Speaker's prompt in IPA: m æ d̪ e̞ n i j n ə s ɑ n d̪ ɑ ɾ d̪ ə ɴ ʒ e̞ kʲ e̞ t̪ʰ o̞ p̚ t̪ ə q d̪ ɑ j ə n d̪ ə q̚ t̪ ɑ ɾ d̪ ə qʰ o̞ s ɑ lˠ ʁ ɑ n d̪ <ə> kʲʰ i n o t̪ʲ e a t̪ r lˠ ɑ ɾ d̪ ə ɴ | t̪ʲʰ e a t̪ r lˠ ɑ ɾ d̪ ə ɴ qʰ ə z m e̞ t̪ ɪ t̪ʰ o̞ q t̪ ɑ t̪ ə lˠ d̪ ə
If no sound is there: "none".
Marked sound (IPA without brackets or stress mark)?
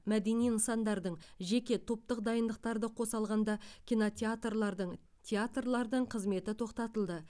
ɑ